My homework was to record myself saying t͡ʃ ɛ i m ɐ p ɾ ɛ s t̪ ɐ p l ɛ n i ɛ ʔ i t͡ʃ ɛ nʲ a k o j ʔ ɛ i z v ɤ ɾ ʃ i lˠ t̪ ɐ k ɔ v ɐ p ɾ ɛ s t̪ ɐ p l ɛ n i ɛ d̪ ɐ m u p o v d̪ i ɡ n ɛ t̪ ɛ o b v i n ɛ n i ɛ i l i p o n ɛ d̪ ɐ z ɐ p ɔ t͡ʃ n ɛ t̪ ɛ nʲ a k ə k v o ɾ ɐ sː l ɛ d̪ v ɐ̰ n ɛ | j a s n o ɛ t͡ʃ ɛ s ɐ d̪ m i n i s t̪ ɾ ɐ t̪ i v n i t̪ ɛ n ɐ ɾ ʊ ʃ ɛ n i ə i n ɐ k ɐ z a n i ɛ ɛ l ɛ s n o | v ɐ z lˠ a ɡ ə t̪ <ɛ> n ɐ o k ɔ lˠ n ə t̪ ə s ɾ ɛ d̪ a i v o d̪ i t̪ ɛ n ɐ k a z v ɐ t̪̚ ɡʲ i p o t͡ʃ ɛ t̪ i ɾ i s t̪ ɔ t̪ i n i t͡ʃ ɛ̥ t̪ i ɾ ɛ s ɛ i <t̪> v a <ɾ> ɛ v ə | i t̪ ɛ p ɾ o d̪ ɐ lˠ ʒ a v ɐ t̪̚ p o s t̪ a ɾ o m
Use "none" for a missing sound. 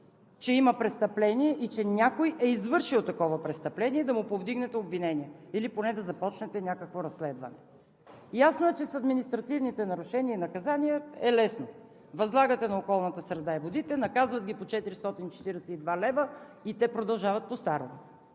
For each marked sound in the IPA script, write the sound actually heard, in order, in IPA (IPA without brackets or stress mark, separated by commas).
ɛ, d̪, l